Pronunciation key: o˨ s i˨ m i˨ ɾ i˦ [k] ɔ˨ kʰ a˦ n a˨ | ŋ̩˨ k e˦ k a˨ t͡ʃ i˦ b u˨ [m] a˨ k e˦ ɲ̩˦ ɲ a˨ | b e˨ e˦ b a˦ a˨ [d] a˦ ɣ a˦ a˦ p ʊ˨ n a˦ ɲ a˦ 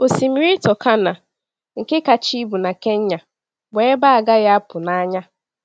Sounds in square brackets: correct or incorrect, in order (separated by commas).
incorrect, incorrect, incorrect